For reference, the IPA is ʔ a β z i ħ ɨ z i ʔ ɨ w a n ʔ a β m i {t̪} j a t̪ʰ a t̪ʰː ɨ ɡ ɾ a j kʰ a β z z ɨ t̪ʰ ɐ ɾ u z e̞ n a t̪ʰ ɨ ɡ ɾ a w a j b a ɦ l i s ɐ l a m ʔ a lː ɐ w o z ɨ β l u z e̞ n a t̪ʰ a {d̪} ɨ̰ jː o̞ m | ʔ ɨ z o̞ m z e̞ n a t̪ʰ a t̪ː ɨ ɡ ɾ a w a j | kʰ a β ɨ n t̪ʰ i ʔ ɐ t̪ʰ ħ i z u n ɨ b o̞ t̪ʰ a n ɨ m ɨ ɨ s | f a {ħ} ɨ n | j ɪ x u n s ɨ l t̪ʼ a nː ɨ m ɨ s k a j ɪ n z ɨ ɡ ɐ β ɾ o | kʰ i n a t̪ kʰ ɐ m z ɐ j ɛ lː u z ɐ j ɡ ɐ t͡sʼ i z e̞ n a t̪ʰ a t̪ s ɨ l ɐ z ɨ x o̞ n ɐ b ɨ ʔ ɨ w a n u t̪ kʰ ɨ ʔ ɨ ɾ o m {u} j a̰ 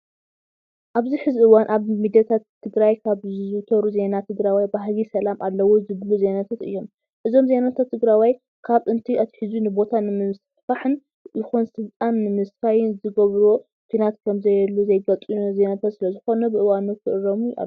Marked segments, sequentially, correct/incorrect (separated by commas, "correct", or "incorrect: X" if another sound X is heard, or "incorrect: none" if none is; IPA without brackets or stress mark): incorrect: d̪, incorrect: t̪, correct, correct